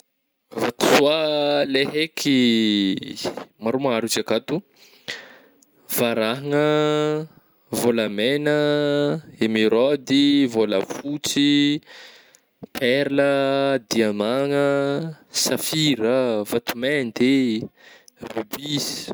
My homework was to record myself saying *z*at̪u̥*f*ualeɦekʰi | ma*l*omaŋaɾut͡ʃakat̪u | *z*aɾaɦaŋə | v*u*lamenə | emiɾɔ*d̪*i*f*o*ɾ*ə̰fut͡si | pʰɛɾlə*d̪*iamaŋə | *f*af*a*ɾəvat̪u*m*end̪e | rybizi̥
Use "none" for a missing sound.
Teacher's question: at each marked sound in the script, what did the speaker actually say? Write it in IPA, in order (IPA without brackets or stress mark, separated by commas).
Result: v, s, ɾ, v, o, d̪, v, l, d̪, s, i, m